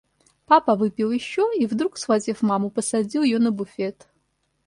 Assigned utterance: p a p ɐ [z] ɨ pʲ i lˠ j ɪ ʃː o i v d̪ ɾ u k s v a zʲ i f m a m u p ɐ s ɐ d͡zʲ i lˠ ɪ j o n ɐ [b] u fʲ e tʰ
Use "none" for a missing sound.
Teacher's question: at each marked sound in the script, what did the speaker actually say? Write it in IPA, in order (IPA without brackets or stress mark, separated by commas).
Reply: v, b